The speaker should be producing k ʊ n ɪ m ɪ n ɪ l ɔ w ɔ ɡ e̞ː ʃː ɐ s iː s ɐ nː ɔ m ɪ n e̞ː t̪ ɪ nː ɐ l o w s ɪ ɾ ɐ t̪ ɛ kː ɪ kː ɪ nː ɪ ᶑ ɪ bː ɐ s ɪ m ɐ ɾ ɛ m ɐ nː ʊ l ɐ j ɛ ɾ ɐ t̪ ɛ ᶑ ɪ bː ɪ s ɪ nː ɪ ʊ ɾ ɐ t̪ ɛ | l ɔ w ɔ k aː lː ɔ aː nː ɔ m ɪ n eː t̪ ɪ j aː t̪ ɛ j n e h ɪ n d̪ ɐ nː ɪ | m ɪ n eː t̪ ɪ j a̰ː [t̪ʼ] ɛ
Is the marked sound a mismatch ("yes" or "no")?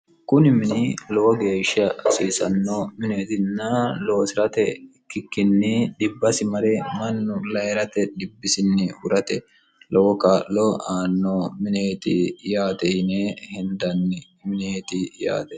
yes